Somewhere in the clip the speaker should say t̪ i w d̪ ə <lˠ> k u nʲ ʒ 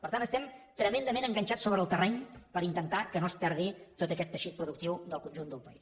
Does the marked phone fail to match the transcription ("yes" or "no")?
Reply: no